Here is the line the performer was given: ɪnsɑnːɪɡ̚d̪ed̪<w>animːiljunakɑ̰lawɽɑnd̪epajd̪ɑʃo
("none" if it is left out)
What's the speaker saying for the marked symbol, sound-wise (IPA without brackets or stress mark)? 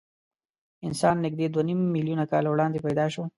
w